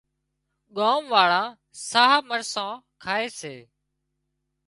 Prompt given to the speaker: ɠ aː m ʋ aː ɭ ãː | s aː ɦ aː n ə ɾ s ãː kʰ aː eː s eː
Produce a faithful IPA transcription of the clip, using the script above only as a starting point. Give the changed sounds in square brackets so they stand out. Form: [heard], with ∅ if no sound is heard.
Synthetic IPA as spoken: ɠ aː m ʋ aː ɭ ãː | s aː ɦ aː [m] ə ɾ s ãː kʰ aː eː s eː